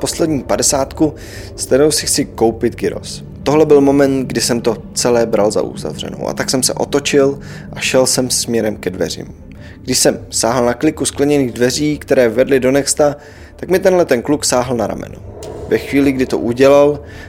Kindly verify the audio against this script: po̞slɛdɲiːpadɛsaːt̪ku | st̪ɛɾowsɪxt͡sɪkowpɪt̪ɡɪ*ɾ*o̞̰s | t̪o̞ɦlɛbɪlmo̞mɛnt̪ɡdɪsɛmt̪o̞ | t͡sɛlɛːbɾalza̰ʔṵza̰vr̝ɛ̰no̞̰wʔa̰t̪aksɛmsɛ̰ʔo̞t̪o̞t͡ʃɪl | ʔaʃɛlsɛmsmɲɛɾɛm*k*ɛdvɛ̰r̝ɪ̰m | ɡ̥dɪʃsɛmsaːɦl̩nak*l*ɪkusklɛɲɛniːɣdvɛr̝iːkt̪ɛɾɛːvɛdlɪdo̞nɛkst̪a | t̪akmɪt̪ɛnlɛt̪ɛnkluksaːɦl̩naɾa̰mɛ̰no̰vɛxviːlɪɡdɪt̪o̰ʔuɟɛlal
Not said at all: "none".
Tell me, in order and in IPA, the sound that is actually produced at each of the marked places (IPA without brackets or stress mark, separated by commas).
ɾ, k, l